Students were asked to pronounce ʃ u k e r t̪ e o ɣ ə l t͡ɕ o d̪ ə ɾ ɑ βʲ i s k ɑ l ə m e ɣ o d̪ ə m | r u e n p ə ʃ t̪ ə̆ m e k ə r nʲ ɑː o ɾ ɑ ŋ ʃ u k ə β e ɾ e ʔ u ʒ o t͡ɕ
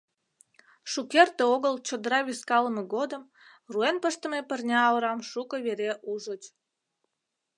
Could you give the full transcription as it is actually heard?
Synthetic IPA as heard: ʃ u k e r t̪ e o ɣ ə l t͡ɕ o d̪ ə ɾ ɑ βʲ i s k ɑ l ə m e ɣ o d̪ ə m | r u e n p ə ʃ t̪ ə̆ m e p ə r nʲ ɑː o ɾ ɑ m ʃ u k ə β e ɾ e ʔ u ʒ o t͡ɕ